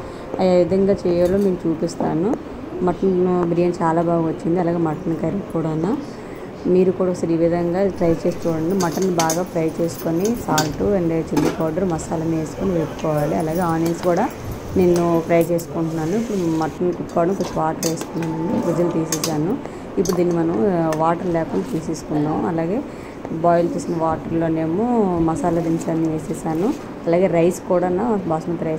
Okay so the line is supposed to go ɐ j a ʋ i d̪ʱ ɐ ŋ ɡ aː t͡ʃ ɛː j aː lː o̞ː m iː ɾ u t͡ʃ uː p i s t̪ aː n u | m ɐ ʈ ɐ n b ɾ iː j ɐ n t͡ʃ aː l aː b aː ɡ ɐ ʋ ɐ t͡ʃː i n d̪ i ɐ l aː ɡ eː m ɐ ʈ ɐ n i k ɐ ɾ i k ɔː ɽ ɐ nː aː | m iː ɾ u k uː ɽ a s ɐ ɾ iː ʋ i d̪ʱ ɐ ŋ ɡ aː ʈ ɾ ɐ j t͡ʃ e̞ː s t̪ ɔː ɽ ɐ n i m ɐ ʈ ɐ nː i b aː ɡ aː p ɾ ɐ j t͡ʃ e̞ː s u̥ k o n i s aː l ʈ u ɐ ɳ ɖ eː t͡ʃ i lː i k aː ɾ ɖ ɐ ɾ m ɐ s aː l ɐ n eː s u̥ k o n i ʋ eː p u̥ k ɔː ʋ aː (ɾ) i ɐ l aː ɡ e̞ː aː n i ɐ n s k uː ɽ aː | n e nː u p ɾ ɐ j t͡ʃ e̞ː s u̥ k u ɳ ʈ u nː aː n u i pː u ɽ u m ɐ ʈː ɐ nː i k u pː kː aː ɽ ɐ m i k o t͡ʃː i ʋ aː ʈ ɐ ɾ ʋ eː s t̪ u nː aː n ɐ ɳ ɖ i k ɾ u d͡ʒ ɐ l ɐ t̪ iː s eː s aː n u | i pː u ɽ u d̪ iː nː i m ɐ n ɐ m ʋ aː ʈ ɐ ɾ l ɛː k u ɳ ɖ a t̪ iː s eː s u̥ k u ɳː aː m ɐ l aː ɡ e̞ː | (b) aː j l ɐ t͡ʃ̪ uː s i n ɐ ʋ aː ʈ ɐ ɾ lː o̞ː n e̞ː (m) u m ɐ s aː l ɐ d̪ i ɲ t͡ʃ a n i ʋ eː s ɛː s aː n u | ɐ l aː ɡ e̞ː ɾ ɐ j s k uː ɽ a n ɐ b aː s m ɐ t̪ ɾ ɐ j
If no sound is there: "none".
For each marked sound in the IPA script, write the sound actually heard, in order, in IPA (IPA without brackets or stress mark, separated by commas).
l, b, m